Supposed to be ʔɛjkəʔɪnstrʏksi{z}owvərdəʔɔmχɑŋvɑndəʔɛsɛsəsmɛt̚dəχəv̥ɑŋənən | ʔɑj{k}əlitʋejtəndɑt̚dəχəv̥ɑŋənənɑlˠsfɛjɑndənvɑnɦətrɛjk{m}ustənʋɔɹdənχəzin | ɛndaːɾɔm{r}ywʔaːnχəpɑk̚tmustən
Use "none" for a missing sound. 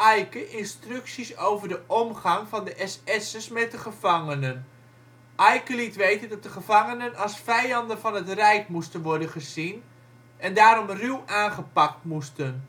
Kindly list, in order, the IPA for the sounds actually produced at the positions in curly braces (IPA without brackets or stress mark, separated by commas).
s, k, m, r